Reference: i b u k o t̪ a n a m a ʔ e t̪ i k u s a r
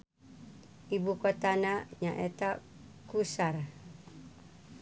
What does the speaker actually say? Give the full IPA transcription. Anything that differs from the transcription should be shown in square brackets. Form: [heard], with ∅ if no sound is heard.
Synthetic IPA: i b u k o t̪ a n a [ɲ] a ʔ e t̪ [a] k u s a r

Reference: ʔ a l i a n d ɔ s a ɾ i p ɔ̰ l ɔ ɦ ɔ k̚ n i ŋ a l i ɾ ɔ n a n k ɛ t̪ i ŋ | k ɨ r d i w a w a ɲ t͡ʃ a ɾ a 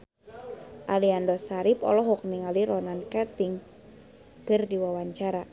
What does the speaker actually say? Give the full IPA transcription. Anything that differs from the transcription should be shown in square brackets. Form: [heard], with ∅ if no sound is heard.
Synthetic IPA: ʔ a l i a n d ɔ s a ɾ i p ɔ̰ l ɔ ɦ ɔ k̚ n i ŋ a l i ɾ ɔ n a n k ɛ t̪ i ŋ | k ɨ r d i w a w a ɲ t͡ʃ a ɾ a

